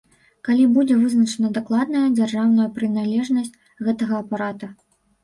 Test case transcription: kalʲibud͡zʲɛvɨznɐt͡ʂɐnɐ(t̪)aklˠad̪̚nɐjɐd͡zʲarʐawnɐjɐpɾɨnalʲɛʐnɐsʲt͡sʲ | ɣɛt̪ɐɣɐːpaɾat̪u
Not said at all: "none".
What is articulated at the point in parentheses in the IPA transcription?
d̪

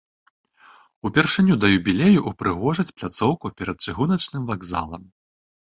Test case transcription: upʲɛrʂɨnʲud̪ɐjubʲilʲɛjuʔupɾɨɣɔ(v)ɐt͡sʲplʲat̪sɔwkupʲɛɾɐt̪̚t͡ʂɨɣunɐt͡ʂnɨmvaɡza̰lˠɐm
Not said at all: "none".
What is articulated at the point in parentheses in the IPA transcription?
ʐ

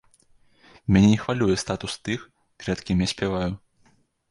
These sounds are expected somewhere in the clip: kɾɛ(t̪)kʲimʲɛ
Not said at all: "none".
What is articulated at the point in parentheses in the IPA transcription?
t̪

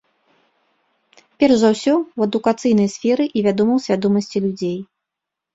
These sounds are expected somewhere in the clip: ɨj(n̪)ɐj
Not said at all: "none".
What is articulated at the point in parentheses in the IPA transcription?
n̪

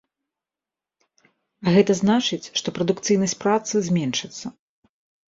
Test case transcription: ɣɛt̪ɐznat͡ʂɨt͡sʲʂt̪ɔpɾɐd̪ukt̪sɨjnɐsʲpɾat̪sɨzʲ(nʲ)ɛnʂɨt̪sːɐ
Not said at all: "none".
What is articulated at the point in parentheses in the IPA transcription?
mʲ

